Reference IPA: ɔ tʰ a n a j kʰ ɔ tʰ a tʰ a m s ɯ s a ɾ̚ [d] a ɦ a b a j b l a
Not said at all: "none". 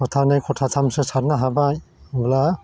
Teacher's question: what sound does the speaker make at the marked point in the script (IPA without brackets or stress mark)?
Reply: n